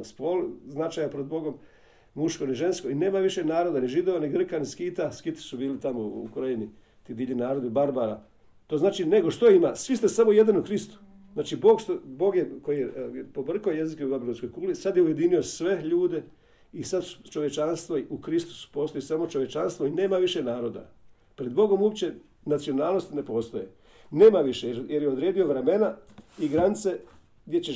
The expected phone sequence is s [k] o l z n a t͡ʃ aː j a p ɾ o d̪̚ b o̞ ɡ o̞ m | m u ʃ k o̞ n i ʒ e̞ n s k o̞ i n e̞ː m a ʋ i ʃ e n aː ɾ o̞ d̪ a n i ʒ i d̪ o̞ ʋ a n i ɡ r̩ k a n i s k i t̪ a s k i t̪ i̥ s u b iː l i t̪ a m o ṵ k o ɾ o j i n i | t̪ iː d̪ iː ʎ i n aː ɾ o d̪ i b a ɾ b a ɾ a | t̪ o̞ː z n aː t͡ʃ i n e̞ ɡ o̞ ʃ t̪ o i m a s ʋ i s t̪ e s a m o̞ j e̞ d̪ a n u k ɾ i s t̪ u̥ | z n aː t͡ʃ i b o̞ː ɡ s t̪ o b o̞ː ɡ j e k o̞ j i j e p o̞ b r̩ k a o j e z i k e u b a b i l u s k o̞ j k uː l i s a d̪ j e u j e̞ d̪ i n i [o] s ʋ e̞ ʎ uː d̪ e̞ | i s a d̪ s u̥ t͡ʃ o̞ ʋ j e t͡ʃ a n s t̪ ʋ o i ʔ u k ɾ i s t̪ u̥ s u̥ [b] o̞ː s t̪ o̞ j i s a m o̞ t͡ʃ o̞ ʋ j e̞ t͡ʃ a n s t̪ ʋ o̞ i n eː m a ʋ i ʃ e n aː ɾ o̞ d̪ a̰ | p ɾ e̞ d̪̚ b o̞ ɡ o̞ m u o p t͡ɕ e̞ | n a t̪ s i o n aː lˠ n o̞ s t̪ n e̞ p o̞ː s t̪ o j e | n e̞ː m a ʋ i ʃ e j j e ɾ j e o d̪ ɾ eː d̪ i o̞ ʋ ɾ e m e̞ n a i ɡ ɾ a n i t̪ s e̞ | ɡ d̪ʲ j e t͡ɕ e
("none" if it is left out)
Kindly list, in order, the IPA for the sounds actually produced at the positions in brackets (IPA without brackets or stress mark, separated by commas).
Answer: p, o, p